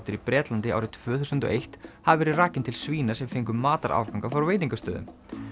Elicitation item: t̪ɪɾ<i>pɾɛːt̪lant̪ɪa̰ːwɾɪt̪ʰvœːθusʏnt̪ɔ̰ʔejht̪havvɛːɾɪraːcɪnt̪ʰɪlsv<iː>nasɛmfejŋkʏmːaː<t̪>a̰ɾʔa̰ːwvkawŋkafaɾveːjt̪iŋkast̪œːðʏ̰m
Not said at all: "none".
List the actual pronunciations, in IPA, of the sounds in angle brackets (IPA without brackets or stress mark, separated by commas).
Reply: i, iː, t̪